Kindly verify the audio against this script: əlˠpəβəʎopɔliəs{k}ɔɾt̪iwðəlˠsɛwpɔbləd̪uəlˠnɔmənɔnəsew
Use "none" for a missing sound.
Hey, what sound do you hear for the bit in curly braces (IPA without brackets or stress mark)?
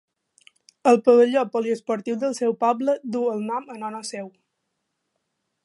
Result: p